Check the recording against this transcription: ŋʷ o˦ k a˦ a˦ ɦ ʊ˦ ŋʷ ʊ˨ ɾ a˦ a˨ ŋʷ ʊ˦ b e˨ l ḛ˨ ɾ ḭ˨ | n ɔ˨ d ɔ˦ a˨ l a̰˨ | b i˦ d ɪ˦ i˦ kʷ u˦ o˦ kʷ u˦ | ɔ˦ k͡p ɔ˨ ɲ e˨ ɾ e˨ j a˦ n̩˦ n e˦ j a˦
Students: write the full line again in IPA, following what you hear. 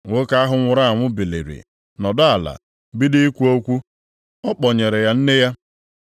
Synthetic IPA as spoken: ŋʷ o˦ k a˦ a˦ ɦ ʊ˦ ŋʷ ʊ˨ ɾ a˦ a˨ ŋʷ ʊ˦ b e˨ l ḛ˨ ɾ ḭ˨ | n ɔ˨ d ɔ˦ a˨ l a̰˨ | b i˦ d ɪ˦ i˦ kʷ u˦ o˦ kʷ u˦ | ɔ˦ k͡p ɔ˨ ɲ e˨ ɾ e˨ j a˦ n̩˦ n e˦ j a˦